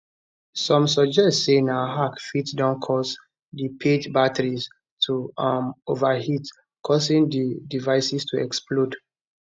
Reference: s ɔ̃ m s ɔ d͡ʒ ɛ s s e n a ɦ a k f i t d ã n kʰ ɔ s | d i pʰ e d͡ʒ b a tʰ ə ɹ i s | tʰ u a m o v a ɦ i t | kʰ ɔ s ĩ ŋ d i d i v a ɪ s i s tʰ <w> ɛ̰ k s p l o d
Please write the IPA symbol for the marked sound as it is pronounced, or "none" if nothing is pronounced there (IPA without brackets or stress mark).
u